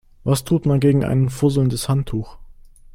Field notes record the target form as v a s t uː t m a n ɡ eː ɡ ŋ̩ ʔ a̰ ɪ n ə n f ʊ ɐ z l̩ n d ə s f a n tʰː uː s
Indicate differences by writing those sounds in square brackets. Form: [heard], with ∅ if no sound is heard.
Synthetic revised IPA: v a s [tʰ] uː t m a n ɡ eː ɡ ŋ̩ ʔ a̰ ɪ n ə n f ʊ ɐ z l̩ n d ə s [h] a n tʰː uː [x]